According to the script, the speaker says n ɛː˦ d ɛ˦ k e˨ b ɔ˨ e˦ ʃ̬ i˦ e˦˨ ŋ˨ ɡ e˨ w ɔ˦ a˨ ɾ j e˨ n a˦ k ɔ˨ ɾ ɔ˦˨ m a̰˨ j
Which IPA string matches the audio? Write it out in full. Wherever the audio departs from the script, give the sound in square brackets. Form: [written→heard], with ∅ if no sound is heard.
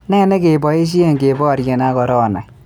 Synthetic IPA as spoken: n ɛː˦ [d→n] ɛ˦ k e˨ b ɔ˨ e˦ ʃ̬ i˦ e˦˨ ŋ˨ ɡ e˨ [w→b] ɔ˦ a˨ ɾ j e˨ n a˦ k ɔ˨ ɾ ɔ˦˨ [m→n] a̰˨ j

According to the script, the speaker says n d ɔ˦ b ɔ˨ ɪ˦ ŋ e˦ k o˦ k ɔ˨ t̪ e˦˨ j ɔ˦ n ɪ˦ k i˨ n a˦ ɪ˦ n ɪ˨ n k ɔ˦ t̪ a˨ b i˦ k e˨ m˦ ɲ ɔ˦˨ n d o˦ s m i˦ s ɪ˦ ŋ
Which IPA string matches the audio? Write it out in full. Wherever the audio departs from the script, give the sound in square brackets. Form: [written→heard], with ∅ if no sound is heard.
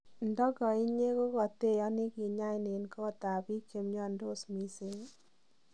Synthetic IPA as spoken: n d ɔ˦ [b→ɡ] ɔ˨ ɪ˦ [ŋ→ɲ] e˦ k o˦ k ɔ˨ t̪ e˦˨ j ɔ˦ n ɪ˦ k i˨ [n→ɲ] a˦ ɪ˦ n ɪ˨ n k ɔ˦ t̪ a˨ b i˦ k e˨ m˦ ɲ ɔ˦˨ n d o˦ s m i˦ s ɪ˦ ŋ

